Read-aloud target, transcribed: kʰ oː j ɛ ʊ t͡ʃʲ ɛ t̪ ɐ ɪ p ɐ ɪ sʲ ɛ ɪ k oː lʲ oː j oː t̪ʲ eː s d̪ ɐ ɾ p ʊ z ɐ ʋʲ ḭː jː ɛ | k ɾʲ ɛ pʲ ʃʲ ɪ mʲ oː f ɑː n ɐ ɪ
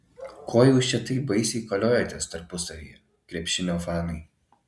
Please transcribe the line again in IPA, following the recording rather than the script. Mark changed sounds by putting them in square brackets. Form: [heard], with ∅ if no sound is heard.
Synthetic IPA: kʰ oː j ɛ ʊ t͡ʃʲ ɛ t̪ ɐ ɪ [b] ɐ ɪ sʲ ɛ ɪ k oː lʲ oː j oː t̪ʲ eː s [t̪] ɐ ɾ p ʊ [s] ɐ ʋʲ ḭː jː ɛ | k ɾʲ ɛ pʲ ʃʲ ɪ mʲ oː f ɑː n ɐ ɪ